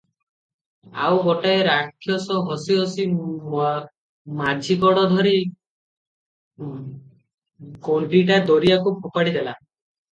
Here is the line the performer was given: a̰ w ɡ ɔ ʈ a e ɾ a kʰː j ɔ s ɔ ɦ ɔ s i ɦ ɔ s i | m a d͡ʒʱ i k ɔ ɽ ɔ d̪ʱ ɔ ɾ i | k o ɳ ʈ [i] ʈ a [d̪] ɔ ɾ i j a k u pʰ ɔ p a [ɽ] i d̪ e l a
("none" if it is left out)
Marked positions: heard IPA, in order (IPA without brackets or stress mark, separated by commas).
i, d̪, ɽ